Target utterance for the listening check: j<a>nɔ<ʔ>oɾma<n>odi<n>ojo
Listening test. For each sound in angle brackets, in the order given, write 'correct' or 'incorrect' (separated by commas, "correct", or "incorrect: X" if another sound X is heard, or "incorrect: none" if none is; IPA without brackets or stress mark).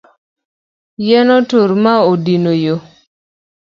incorrect: ɛ, incorrect: t, incorrect: none, correct